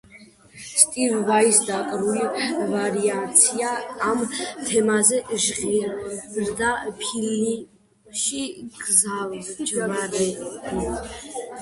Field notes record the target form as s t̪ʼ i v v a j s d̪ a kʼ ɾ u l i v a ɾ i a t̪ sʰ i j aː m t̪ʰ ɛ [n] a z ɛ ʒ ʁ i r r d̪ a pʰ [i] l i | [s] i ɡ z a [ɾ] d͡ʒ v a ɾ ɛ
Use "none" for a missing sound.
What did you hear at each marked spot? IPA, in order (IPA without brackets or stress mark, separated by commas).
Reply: m, i, ʃ, l